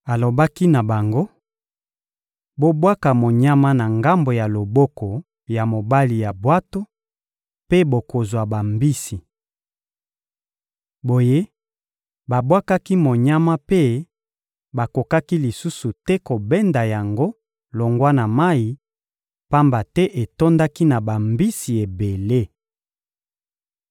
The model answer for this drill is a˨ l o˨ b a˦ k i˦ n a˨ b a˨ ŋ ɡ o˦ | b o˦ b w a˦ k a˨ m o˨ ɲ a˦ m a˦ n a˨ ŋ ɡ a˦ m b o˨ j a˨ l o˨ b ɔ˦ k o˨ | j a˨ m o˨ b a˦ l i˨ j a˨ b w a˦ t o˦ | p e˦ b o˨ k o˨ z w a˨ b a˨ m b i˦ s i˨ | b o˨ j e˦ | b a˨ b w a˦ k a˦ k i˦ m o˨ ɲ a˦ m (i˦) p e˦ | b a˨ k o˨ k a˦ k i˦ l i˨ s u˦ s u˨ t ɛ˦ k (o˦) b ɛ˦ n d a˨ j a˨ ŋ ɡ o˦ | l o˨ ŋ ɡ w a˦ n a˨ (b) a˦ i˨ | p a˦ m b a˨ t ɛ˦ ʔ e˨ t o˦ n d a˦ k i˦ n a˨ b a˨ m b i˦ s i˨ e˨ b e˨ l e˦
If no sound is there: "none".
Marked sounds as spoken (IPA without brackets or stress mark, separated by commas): a˦, o˨, m